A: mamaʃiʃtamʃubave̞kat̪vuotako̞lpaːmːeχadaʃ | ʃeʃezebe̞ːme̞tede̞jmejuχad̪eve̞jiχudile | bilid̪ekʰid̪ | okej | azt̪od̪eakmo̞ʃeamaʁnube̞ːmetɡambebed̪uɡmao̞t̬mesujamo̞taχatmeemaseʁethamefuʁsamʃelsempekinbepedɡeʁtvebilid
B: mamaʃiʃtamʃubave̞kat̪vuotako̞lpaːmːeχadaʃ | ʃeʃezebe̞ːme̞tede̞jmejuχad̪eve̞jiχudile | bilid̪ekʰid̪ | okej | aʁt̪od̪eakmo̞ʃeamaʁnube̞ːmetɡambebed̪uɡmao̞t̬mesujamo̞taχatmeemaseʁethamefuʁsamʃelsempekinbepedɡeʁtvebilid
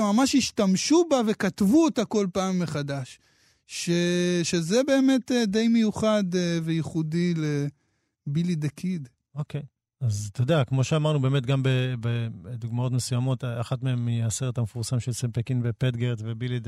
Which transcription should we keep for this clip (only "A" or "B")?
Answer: A